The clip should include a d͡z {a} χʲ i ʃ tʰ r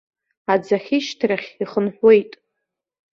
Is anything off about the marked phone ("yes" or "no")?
no